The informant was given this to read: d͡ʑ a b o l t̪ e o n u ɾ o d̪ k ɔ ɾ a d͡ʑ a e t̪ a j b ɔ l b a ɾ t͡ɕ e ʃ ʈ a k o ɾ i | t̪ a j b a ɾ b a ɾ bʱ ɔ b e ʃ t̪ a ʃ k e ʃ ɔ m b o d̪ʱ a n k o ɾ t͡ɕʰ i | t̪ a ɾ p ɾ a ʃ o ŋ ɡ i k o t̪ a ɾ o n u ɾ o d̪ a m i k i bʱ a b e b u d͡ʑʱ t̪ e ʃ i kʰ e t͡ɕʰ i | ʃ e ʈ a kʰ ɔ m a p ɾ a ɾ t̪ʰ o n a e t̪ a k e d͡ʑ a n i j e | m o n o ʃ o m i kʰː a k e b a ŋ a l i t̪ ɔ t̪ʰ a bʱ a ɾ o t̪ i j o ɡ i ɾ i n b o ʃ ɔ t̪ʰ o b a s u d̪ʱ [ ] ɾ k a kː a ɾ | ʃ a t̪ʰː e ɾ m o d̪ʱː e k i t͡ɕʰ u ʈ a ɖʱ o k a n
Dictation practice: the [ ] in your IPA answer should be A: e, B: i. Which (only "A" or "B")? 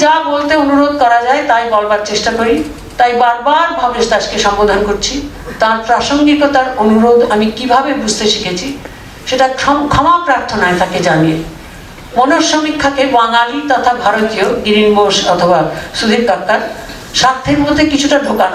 B